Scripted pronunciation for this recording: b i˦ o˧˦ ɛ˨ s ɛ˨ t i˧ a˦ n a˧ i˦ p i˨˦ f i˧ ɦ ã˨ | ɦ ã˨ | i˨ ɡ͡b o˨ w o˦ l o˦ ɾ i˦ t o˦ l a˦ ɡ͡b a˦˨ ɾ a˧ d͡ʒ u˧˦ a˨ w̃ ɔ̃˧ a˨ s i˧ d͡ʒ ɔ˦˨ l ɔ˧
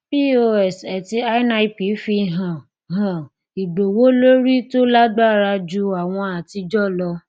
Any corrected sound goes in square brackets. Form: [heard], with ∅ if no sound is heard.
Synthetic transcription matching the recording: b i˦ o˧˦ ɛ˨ s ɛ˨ t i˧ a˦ n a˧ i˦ p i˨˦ f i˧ ɦ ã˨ | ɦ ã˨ | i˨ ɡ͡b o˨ w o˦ l o˦ ɾ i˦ t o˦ l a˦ ɡ͡b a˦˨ ɾ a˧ d͡ʒ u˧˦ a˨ w̃ ɔ̃˧ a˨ [t] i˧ d͡ʒ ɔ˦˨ l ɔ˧